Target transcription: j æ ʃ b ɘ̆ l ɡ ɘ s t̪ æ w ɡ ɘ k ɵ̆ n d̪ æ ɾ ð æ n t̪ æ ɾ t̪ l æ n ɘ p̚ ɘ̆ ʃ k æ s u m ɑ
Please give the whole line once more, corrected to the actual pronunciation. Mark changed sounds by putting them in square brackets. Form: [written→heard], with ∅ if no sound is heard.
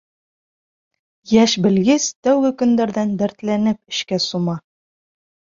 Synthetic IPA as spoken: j æ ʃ b ɘ̆ l ɡ ɘ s t̪ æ w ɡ ɘ k ɵ̆ n d̪ æ ɾ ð æ n [t̪→d̪] æ ɾ t̪ l æ n ɘ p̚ ɘ̆ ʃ k æ s u m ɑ